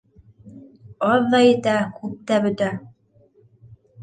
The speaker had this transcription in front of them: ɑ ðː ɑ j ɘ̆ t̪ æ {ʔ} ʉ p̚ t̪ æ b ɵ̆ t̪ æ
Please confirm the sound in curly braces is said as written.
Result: no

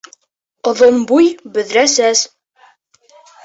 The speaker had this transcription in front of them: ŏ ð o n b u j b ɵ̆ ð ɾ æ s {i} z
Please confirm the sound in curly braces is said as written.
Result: no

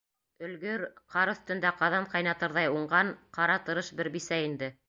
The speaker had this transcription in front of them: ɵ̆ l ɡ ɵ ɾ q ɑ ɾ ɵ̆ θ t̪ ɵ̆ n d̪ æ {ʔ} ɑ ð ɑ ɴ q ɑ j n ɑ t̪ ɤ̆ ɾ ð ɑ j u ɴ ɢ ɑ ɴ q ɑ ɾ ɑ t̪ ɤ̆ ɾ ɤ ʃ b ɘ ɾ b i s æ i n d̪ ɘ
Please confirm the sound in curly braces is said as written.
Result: no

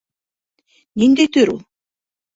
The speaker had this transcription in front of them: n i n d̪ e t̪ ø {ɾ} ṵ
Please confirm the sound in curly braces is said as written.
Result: yes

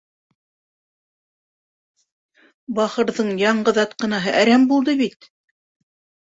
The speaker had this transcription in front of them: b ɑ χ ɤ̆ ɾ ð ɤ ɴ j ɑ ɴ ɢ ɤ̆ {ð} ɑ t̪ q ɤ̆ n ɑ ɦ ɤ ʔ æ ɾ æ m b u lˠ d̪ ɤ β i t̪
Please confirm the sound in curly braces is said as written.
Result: yes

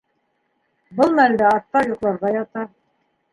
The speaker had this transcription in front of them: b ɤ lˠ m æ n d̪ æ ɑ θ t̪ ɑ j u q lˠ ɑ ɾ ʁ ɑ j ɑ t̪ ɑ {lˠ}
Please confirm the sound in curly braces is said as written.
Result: no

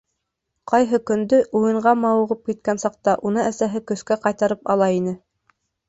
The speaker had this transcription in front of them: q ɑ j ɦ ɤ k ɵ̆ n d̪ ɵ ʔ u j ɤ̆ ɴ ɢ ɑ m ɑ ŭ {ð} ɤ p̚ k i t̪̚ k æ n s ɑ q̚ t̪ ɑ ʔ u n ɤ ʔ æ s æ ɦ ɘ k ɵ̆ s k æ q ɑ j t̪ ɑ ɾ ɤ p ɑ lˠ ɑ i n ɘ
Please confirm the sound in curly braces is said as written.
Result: no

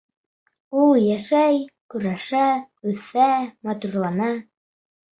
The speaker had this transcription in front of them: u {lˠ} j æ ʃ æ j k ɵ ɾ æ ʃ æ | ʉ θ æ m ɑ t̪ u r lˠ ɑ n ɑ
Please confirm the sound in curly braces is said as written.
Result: yes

